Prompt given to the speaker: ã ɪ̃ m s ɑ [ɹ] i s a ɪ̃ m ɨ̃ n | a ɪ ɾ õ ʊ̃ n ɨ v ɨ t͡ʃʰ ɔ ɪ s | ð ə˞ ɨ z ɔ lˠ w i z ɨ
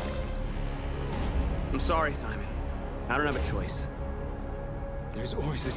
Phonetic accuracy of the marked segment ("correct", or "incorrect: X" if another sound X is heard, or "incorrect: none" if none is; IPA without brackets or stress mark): correct